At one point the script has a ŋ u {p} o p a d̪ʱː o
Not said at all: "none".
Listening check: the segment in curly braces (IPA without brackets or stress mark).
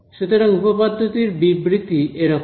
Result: p